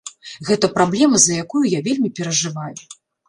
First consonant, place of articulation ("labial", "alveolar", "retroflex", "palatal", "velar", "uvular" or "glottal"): velar